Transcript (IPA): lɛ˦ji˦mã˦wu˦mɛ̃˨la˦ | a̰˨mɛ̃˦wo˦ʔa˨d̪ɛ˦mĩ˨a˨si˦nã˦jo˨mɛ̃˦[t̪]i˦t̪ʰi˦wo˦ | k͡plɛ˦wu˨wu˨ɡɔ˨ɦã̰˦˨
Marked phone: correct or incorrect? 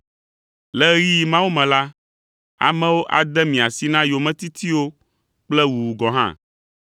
correct